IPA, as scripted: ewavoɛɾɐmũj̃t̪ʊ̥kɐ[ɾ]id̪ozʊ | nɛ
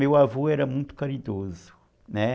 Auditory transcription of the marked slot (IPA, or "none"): ɾ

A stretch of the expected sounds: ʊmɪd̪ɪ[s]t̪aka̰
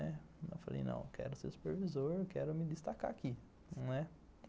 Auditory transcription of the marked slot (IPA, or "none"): s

